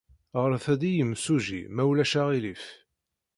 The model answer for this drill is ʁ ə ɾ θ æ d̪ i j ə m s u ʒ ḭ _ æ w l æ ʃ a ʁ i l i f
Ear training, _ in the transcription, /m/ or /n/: m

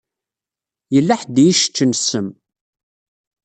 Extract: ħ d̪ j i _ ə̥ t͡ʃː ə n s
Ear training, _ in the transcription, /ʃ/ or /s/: ʃ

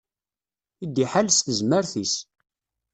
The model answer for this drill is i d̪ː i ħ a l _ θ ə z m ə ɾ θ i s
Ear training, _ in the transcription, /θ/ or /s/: s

